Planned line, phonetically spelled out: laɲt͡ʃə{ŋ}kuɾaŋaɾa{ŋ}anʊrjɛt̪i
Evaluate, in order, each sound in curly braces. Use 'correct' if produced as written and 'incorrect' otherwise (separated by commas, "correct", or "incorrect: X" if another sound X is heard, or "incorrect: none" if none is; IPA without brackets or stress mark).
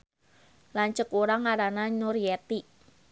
incorrect: none, incorrect: n